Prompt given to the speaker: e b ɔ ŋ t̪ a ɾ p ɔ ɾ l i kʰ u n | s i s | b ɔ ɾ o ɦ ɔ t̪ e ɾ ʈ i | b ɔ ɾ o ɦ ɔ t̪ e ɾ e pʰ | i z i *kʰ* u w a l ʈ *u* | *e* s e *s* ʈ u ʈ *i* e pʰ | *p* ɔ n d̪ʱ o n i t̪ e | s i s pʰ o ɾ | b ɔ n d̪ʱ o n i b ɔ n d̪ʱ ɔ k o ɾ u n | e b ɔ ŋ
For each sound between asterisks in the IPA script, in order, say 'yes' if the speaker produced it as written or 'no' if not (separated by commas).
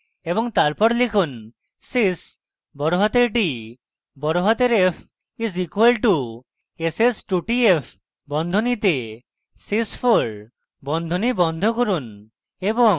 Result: no, yes, yes, yes, yes, no